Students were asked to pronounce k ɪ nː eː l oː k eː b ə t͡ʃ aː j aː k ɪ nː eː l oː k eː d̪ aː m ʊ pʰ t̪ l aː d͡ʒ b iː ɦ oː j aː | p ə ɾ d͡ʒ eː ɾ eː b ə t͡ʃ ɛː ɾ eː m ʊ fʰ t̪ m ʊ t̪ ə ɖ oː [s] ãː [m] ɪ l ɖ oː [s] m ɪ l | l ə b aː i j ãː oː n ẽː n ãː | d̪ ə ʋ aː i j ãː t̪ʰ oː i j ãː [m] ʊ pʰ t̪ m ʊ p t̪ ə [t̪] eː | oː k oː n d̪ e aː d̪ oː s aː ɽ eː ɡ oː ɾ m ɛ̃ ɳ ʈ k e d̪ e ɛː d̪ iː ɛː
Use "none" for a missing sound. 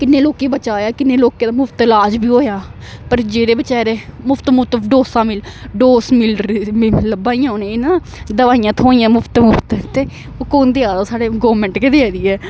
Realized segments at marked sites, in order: s, m, s, m, t̪

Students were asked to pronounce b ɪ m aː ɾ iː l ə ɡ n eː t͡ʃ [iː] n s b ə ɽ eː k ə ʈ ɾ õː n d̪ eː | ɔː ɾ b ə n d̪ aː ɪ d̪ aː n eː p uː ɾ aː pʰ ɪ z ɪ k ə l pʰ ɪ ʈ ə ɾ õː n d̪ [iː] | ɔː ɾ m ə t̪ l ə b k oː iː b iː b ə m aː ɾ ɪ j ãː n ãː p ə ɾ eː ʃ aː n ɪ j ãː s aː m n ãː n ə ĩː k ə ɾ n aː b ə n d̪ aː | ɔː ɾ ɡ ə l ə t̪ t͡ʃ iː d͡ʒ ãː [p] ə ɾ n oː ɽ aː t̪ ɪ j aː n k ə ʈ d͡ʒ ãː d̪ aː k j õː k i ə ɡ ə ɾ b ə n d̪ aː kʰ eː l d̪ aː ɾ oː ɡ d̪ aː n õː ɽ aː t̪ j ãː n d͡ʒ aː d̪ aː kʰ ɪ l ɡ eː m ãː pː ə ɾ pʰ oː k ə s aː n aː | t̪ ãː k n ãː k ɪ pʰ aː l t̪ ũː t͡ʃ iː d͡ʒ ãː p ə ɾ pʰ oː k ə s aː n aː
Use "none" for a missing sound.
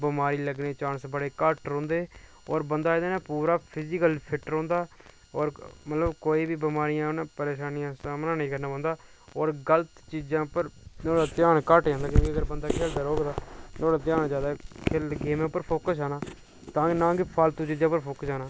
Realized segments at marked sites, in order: aː, aː, p

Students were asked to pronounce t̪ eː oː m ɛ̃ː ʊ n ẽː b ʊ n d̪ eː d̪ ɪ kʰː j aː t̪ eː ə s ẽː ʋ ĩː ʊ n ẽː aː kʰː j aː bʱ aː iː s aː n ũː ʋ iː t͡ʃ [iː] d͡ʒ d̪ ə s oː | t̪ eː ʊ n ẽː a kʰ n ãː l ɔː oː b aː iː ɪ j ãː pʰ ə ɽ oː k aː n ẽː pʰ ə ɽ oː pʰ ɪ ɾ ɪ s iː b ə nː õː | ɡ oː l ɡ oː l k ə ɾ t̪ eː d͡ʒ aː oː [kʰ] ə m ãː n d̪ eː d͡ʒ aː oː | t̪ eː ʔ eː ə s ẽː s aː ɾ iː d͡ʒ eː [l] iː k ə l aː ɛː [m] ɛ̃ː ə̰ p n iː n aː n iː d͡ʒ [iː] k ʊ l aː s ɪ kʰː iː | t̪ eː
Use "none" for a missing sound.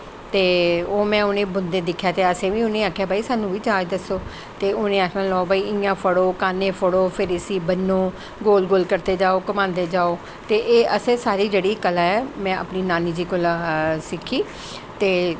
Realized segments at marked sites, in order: aː, k, ɽ, m, iː

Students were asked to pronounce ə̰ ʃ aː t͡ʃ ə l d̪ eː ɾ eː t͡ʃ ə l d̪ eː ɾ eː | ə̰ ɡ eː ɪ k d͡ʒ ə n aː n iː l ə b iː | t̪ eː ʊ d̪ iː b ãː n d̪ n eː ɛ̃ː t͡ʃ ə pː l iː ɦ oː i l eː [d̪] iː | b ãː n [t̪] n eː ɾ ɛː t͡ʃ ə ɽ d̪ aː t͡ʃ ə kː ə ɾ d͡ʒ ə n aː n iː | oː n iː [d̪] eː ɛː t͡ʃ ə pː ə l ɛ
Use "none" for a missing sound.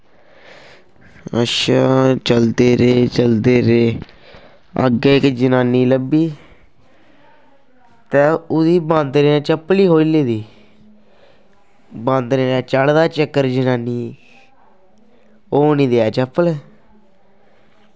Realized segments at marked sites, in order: d̪, d̪, d̪

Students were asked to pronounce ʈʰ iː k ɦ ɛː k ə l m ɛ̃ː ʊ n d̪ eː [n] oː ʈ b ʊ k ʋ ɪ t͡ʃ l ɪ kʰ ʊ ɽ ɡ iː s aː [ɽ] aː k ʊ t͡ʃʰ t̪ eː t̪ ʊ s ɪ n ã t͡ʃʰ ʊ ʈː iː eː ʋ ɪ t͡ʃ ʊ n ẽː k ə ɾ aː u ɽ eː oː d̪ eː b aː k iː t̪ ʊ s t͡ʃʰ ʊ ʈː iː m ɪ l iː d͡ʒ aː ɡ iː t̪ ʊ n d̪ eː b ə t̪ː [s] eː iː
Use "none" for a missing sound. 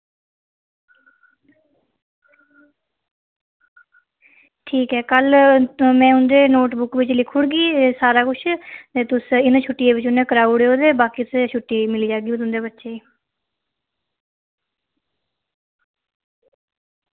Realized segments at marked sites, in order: n, ɾ, ʃ

